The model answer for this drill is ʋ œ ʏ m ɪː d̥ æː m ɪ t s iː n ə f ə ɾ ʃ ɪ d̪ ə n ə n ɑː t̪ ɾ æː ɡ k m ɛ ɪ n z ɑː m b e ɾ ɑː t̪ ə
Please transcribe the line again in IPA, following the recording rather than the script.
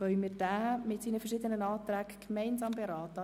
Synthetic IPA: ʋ œ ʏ m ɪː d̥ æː m ɪ t s iː n ə f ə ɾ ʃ ɪ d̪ ə n ə n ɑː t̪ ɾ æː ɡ k m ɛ ɪ n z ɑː m b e ɾ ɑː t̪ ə